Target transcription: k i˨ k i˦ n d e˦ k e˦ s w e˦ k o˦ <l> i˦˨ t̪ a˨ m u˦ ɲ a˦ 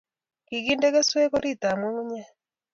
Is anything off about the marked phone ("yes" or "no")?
yes